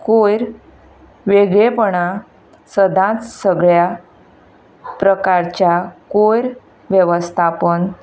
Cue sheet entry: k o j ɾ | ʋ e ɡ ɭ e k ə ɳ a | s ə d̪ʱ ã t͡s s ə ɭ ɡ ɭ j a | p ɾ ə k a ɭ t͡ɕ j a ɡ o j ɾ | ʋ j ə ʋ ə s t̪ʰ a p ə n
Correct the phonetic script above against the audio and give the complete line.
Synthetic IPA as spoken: k o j ɾ | ʋ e ɡ ɭ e p ə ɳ a | s ə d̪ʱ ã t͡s s ə ɡ ɭ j a | p ɾ ə k a ɾ t͡ɕ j a k o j ɾ | ʋ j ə ʋ ə s t̪ʰ a p ə n